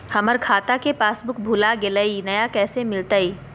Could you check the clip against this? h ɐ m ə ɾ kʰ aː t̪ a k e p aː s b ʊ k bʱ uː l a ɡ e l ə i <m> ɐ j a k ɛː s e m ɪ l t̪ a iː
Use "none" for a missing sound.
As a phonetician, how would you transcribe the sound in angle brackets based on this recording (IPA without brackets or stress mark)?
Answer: n